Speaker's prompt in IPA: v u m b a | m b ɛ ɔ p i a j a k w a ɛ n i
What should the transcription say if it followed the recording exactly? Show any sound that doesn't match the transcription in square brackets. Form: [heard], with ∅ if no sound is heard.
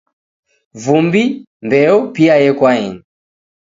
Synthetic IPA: v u m b [i] | m b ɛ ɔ p i a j [ɛ] k w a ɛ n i